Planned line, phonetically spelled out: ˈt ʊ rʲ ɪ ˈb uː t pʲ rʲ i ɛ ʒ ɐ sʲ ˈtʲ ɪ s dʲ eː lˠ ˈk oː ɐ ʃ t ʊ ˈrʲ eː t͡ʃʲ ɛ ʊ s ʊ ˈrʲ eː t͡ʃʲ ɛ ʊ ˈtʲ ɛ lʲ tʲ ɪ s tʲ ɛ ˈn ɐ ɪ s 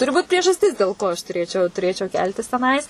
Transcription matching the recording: ˈt ʊ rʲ ɪ ˈb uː t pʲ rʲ i ɛ ʒ ɐ sʲ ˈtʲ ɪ s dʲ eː lˠ ˈk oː ɐ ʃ t ʊ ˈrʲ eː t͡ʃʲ ɛ ʊ t ʊ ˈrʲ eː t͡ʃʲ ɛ ʊ ˈkʲ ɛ lʲ tʲ ɪ s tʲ ɛ ˈn ɐ ɪ s